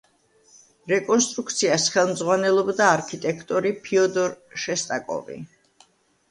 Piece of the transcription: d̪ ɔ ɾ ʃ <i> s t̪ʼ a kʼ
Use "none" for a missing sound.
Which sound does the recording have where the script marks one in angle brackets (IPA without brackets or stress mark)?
ɛ